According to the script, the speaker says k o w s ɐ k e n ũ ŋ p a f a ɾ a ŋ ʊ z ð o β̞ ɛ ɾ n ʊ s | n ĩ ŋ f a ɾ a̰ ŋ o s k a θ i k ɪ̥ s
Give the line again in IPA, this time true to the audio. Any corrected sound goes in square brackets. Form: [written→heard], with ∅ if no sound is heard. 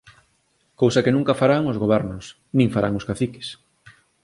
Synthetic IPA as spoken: k o w s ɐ k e n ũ ŋ [p→k] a f a ɾ a ŋ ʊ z [ð→ɣ] o β̞ ɛ ɾ n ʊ s | n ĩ ŋ f a ɾ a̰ ŋ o s k a θ i k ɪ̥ s